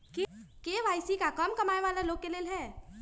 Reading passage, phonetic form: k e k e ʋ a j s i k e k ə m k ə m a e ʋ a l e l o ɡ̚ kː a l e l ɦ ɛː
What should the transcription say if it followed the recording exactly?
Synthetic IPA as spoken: k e k e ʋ a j s i k a k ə m k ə m a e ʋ a l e l o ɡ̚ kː e l e l ɦ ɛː